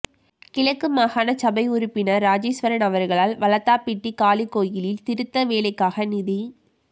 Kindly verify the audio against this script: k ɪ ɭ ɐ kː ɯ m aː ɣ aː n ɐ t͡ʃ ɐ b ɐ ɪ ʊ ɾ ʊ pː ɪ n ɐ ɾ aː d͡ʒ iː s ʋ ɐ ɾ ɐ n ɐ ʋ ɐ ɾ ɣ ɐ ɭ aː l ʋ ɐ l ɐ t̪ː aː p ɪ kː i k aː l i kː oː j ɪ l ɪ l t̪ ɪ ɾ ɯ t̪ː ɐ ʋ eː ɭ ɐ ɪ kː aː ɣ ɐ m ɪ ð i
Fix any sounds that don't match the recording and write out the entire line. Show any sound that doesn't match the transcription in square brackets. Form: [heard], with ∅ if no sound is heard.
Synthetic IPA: k ɪ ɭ ɐ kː ɯ m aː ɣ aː n ɐ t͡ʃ ɐ b ɐ ɪ ʊ ɾ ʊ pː ɪ n ɐ ɾ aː d͡ʒ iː s ʋ ɐ ɾ ɐ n ɐ ʋ ɐ ɾ ɣ ɐ ɭ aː l ʋ ɐ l ɐ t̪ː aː p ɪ [ʈː] i k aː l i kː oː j ɪ l ɪ l t̪ ɪ ɾ ɯ t̪ː ɐ ʋ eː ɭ ɐ ɪ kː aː ɣ ɐ [n] ɪ ð i